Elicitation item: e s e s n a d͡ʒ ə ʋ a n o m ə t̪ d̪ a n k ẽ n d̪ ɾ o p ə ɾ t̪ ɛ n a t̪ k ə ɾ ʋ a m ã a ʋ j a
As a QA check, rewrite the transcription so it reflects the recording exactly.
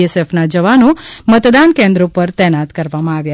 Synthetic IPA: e s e f n a d͡ʒ ə ʋ a n o m ə t̪ d̪ a n k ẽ n d̪ ɾ o p ə ɾ t̪ ɛ n a t̪ k ə ɾ ʋ a m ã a ʋ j a